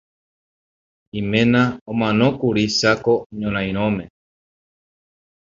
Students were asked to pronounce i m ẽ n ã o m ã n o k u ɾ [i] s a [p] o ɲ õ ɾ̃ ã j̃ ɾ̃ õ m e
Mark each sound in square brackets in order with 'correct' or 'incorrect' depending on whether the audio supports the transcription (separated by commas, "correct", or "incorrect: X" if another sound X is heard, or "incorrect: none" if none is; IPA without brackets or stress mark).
correct, incorrect: k